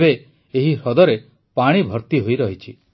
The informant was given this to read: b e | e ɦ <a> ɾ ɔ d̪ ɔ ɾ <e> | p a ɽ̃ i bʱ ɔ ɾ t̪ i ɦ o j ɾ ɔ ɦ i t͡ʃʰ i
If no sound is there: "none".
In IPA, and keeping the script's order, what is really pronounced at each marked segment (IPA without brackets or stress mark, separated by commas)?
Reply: i, e